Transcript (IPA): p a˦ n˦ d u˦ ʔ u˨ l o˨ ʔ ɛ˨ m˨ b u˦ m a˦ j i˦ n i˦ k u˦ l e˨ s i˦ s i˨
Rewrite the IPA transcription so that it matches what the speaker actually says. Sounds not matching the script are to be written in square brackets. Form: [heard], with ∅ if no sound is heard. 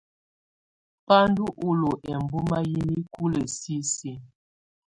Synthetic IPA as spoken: p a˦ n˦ d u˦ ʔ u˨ l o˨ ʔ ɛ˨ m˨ b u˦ m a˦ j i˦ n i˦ k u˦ l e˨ s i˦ s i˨